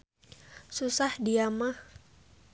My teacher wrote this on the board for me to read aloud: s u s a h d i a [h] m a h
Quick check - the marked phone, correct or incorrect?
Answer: incorrect